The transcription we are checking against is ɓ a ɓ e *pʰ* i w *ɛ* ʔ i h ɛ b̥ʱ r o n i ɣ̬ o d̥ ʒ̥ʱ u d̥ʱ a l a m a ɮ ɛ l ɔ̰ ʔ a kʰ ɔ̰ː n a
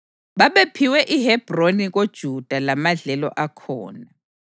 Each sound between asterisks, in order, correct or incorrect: correct, correct

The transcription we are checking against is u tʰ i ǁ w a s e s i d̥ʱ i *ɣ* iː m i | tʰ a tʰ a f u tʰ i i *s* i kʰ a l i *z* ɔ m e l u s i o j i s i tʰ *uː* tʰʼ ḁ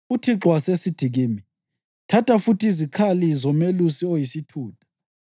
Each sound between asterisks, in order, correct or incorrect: correct, incorrect: z, correct, correct

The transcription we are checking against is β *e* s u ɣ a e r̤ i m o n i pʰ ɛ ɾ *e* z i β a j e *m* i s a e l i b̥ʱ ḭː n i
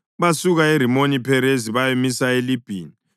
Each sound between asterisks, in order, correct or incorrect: incorrect: a, correct, correct

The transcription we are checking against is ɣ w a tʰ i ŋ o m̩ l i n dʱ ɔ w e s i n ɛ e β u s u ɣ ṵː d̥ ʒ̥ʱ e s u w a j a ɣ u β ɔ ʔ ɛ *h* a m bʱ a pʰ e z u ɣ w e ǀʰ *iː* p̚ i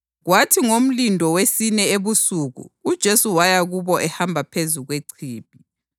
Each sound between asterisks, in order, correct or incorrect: correct, correct

